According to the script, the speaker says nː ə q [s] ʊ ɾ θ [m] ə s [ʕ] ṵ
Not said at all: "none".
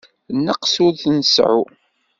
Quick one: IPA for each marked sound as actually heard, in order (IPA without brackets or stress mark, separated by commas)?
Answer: s, n, ʕ